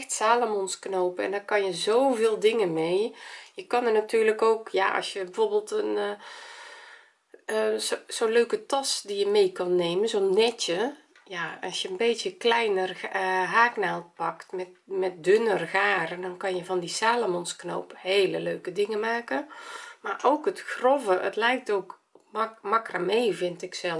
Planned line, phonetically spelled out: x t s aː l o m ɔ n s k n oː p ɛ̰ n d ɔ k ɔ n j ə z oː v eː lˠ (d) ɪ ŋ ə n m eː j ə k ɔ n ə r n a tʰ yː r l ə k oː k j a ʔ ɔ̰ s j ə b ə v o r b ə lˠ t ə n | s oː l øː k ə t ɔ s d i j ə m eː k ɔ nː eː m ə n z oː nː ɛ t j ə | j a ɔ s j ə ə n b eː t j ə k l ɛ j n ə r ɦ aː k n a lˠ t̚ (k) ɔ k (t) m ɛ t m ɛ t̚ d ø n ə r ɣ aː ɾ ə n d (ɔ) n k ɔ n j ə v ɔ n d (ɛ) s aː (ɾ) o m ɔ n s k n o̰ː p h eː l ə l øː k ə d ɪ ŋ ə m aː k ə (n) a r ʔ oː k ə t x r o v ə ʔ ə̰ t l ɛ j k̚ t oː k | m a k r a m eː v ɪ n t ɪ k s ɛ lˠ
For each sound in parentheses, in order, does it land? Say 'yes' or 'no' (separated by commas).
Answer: yes, no, yes, yes, no, no, no